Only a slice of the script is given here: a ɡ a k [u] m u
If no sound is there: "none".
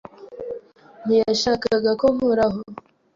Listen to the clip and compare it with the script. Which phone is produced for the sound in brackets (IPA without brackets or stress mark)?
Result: o